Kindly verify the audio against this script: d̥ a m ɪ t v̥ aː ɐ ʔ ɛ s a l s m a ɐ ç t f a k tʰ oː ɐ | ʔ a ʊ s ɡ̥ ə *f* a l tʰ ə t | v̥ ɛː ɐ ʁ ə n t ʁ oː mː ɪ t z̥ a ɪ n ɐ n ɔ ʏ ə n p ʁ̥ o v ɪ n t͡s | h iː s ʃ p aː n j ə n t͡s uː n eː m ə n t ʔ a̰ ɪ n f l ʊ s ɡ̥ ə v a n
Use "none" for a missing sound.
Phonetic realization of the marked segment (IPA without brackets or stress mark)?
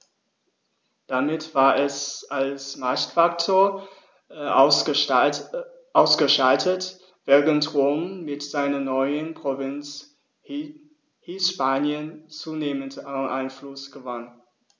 ʃ